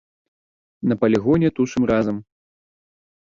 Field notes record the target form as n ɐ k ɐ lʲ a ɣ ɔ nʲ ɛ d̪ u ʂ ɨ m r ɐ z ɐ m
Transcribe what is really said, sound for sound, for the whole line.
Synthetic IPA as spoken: n ɐ p ɐ lʲ i ɣ ɔ nʲ ɛ t̪ u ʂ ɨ m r a z ɐ m